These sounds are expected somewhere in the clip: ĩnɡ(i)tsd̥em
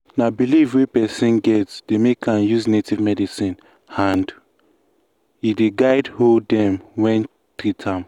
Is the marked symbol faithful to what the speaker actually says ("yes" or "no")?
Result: no